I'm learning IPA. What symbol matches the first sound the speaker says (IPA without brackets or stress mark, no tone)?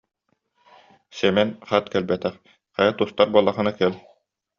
s